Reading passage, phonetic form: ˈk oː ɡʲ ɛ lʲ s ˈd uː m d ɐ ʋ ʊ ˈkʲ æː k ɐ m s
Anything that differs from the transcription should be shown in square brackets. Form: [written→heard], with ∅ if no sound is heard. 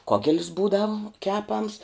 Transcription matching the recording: ˈk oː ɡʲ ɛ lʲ s [ˈd→ˈb] uː [m→∅] d ɐ ʋ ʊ ˈkʲ æː [k→p] ɐ m s